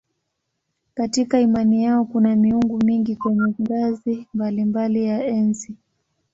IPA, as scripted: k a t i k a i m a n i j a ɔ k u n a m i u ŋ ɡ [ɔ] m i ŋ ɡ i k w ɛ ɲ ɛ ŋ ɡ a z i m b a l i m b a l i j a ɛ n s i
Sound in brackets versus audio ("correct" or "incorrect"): incorrect